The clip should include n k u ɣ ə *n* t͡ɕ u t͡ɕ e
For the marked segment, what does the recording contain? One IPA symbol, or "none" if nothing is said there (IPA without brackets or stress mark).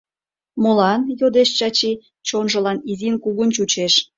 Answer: n